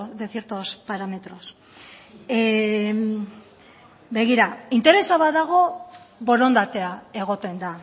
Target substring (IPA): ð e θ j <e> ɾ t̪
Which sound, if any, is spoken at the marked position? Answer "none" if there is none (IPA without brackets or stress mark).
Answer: e